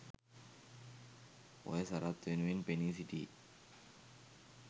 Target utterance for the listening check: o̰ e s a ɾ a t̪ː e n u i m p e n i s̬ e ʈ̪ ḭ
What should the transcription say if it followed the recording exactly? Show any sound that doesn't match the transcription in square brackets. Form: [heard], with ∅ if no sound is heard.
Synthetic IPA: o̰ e s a ɾ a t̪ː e n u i [n] p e n i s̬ [i] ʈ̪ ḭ